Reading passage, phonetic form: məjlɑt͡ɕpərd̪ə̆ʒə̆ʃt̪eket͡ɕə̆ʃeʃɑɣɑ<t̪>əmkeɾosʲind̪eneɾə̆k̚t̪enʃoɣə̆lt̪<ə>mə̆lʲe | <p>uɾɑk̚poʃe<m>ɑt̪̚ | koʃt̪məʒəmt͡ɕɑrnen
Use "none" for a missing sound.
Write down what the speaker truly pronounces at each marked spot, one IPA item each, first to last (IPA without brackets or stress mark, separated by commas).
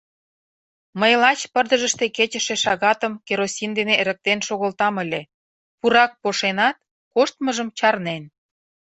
t̪, ɑ, p, n